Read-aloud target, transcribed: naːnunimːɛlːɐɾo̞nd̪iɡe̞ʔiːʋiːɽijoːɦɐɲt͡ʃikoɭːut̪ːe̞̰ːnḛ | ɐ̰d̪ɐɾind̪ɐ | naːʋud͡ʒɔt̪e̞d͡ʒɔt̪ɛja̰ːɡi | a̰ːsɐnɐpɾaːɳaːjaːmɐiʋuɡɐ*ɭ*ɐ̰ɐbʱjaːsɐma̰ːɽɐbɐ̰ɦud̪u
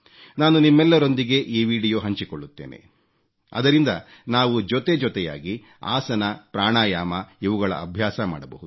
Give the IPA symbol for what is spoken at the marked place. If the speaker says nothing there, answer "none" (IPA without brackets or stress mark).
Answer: ɭ